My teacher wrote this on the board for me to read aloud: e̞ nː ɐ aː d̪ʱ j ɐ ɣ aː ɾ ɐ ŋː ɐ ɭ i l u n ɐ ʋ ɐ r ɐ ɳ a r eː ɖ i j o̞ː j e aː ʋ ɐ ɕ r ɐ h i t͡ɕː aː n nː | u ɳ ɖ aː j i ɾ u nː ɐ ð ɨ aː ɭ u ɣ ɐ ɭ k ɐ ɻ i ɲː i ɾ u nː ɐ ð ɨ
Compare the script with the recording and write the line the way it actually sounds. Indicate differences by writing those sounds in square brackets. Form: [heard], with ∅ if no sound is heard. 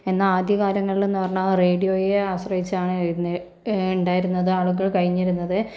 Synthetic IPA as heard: e̞ nː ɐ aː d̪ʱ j ɐ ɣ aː ɾ ɐ ŋː ɐ ɭ i l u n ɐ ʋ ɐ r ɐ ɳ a r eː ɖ i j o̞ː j e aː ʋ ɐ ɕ r ɐ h i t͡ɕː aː [ɳ] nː | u ɳ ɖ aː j i ɾ u nː ɐ ð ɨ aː ɭ u ɣ ɐ ɭ k ɐ ɻ i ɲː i ɾ u nː ɐ ð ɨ